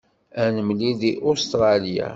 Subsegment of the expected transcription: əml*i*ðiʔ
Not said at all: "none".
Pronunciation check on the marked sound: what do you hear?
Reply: i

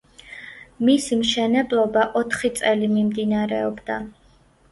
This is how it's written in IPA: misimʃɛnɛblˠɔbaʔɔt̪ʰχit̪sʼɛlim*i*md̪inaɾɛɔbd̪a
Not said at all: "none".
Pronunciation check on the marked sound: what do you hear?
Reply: i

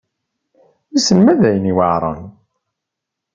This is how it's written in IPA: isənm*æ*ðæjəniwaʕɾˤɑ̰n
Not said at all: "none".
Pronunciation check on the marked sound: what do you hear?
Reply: æ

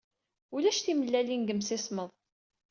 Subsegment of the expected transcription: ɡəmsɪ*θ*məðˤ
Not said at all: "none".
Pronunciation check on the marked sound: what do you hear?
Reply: s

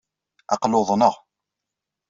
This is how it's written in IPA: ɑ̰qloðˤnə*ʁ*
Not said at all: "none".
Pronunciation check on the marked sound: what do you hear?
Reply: ʁ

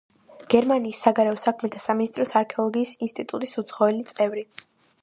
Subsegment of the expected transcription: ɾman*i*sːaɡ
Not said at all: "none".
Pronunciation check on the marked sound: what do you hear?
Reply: iː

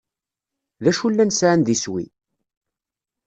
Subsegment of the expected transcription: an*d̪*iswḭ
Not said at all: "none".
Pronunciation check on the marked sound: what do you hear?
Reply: d̪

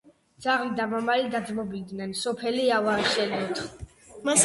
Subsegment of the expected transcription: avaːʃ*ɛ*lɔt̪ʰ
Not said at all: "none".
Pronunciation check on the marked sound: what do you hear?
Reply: ɛ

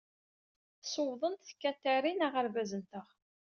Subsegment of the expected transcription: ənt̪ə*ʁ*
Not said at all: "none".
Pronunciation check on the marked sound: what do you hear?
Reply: ʁ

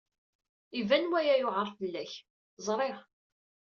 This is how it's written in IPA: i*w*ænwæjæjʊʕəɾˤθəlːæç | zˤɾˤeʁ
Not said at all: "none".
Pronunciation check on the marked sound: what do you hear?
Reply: v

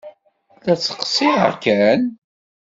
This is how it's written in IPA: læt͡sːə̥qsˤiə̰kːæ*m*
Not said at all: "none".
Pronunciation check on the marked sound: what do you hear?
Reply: n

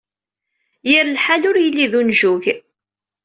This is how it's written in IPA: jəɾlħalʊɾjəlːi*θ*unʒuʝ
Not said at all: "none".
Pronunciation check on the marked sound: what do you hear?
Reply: ð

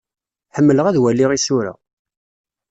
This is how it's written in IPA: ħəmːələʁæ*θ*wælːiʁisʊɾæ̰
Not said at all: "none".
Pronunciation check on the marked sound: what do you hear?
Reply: ð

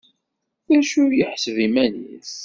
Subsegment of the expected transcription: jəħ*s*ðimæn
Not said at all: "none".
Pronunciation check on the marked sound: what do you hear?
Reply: s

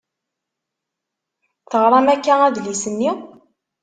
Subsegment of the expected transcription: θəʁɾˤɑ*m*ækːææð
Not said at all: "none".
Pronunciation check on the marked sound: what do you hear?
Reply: m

